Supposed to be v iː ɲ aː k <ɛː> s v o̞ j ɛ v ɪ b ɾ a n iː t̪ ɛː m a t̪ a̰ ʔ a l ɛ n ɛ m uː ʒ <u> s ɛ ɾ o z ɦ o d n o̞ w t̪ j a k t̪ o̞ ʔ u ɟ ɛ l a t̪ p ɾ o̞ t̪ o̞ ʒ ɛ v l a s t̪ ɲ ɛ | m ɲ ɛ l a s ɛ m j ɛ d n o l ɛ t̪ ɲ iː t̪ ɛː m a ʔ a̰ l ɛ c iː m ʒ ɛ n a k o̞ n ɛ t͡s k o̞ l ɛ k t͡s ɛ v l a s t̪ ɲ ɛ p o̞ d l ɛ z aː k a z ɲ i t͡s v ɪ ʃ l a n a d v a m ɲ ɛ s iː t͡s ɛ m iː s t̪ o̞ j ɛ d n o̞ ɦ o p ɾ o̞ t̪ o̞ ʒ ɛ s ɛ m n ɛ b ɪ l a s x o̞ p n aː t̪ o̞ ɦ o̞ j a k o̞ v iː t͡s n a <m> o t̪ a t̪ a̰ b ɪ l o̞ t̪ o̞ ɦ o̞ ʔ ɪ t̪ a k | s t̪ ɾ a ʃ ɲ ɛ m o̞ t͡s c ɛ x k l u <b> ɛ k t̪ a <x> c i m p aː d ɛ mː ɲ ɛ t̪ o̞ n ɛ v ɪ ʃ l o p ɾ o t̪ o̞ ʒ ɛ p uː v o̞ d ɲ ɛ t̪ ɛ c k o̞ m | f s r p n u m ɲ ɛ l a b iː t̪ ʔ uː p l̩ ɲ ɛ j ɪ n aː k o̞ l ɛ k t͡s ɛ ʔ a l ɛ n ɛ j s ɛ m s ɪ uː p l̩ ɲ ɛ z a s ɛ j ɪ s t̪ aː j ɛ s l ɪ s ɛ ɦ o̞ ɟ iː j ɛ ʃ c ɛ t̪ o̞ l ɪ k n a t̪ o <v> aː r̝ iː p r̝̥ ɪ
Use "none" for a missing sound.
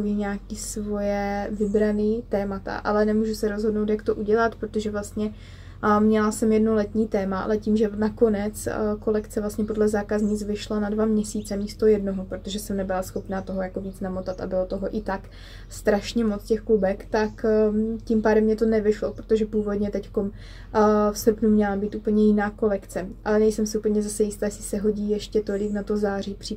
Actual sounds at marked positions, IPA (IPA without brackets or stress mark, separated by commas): iː, u, m, b, k, z